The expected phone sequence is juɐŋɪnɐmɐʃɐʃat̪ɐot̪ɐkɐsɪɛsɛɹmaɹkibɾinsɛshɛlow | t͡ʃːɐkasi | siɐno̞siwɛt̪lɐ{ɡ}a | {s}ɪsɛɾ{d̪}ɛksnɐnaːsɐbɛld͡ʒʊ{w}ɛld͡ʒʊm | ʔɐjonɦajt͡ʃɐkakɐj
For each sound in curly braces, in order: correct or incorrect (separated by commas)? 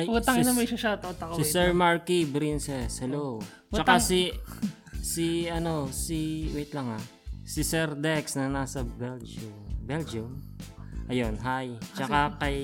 incorrect, correct, correct, incorrect